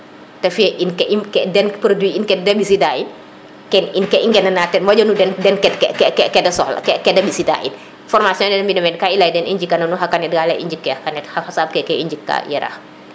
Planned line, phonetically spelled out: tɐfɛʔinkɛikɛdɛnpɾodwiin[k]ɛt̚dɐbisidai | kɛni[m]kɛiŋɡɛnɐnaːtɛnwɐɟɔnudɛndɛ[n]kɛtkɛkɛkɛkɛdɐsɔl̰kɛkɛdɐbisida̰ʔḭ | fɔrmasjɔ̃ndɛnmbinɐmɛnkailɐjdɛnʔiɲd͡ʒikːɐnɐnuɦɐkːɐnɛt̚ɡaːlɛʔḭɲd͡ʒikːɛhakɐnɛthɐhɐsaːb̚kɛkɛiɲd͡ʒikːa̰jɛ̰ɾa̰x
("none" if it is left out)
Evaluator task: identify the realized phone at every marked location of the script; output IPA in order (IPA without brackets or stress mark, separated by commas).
k, n, n